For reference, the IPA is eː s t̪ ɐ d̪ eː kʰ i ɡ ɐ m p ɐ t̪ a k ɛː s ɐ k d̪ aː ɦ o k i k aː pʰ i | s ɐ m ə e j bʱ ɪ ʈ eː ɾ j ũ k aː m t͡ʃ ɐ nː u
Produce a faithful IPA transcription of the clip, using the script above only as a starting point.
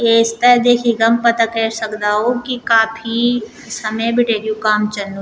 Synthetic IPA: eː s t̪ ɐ d̪ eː kʰ i ɡ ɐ m p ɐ t̪ a k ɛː s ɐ k d̪ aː ɦ o k i k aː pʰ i | s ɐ m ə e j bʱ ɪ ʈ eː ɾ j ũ k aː m t͡ʃ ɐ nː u

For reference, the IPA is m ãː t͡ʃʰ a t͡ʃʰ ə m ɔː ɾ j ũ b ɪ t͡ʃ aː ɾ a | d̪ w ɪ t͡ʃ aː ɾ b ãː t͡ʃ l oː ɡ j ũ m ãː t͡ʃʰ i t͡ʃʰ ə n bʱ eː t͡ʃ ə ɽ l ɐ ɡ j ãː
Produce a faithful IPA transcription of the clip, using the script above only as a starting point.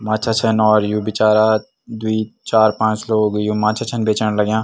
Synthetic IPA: m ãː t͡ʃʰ a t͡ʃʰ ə n ɔː ɾ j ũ b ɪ t͡ʃ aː ɾ a | d̪ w i t͡ʃ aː ɾ p ãː t͡ʃ l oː ɡ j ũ m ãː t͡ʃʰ a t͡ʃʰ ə n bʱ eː t͡ʃ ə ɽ l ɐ ɡ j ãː

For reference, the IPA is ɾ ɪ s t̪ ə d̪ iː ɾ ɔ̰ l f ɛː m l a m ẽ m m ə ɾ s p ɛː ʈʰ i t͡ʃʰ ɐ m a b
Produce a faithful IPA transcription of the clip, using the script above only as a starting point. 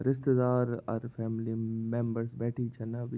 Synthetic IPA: ɾ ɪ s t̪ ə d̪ aː ɾ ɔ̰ ɾ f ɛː m l i m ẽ m b ə ɾ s b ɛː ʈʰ i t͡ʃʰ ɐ n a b

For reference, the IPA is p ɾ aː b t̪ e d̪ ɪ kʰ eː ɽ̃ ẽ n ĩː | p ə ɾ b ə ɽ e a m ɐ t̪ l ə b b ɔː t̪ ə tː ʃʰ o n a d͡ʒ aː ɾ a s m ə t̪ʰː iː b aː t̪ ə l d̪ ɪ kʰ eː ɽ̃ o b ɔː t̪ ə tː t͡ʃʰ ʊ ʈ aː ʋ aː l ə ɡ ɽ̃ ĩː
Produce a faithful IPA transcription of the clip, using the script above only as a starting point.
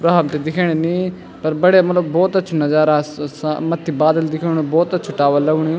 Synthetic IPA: p ɾ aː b t̪ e d̪ ɪ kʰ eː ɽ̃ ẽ n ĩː | p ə ɾ b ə ɽ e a m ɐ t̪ l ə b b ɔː t̪ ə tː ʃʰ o n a d͡ʒ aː ɾ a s m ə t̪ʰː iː b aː d̪ ə l d̪ ɪ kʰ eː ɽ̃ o b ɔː t̪ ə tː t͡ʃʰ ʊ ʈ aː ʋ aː l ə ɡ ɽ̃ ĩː

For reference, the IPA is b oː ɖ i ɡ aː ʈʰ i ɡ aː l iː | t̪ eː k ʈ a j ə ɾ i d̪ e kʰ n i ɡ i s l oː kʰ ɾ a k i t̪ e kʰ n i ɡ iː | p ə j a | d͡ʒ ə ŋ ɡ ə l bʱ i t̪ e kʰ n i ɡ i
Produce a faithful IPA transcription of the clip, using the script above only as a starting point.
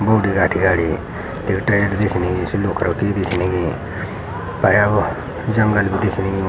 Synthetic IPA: b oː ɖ i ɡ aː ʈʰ i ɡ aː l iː | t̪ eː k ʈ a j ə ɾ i d̪ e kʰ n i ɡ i s l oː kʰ ɾ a k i d̪ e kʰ n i ɡ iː | p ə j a | d͡ʒ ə ŋ ɡ ə l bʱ i d̪ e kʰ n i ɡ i

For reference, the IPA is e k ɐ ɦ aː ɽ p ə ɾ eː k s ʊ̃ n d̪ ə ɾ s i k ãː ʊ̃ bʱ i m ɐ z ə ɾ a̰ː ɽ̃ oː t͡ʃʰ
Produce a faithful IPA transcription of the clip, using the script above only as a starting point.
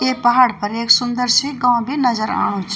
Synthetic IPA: e p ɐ ɦ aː ɽ p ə ɾ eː k s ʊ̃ n d̪ ə ɾ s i ɡ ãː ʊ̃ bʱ i n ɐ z ə ɾ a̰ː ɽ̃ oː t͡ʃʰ

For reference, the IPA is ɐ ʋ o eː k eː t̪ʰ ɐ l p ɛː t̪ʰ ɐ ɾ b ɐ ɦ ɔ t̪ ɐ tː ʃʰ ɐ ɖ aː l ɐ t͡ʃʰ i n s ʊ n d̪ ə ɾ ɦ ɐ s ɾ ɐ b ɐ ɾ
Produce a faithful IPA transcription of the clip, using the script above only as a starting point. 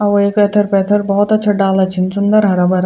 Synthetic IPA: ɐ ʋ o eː k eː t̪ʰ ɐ ɾ p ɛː t̪ʰ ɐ ɾ b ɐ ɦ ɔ t̪ ɐ tː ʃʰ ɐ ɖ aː l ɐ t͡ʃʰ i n s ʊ n d̪ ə ɾ ɦ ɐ ɾ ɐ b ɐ ɾ

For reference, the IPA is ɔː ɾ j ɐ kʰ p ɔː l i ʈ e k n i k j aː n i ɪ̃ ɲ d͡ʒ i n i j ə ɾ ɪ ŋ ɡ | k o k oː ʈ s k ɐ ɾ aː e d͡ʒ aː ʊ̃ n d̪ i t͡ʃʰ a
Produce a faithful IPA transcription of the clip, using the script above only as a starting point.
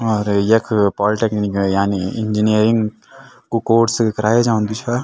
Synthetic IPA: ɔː ɾ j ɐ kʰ p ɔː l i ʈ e k n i k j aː n i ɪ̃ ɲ d͡ʒ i n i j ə ɾ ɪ ŋ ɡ | k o k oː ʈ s k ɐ ɾ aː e d͡ʒ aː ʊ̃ n d̪ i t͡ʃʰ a

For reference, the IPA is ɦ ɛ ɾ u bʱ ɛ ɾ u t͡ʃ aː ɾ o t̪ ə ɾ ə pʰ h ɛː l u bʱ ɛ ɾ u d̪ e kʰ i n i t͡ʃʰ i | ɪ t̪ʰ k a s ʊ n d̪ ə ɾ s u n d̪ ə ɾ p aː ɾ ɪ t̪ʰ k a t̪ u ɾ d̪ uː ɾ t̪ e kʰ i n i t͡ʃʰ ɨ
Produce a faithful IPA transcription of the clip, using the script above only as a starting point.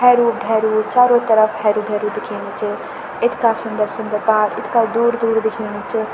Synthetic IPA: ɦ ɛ ɾ u bʱ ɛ ɾ u t͡ʃ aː ɾ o t̪ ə ɾ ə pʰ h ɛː ɾ u bʱ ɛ ɾ u d̪ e kʰ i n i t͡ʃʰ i | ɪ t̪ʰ k a s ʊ n d̪ ə ɾ s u n d̪ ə ɾ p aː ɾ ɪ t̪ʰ k a d̪ u ɾ d̪ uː ɾ d̪ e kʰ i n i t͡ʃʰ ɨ

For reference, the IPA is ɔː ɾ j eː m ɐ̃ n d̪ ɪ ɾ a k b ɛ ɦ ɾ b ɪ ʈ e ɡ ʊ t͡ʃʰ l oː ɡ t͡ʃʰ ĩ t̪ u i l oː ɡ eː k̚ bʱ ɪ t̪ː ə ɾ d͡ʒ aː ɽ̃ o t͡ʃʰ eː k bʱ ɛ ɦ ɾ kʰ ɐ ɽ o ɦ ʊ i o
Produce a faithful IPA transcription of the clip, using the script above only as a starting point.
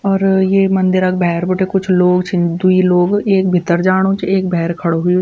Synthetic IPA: ɔː ɾ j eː m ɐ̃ n d̪ ɪ ɾ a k b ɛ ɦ ɾ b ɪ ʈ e k ʊ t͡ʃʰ l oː ɡ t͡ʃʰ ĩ d̪ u i l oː ɡ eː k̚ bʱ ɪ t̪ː ə ɾ d͡ʒ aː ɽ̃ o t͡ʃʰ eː k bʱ ɛ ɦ ɾ kʰ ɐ ɽ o ɦ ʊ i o

